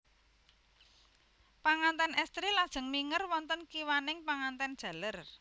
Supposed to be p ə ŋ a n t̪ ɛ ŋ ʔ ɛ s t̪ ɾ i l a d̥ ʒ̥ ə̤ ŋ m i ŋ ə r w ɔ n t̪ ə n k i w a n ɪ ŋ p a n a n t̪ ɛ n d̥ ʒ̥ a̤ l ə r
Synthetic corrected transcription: p a ŋ a n t̪ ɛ n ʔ ɛ s t̪ ɾ i l a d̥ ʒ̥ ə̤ ŋ m i ŋ ə r w ɔ n t̪ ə n k i w a n ɪ ŋ p a ŋ a n t̪ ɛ n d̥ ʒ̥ a̤ l ə r